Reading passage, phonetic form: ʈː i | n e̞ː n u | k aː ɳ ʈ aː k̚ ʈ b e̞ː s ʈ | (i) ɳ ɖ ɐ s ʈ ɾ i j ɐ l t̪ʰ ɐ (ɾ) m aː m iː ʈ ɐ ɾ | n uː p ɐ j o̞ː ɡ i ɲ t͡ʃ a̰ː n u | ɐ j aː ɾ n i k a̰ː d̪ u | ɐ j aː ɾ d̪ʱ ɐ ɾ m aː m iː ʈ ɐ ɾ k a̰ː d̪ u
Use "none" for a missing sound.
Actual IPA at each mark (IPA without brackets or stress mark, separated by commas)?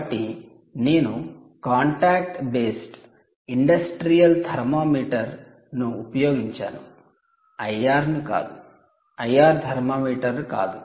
i, ɾ